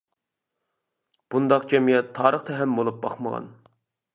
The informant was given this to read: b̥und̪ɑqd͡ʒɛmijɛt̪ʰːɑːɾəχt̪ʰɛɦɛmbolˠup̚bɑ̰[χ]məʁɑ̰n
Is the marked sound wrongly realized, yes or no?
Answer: no